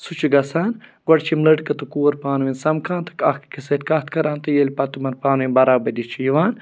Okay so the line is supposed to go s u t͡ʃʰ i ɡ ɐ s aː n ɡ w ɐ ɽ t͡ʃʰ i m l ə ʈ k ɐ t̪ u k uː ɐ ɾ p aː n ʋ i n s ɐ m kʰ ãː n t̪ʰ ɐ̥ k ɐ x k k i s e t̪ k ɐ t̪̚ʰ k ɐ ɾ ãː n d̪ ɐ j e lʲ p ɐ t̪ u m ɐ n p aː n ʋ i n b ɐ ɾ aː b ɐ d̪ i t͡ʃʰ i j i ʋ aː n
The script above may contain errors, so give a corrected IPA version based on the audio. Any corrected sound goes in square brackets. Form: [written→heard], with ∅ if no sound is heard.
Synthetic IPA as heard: s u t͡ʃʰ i ɡ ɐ s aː n ɡ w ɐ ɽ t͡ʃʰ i m l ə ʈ k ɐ t̪ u k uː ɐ ɾ p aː n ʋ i n s ɐ m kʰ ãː n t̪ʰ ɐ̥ k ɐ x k k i s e t̪ k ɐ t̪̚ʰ k ɐ ɾ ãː n [d̪→t̪] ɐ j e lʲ p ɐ t̪ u m ɐ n p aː n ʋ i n b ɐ ɾ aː b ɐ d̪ i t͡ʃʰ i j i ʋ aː n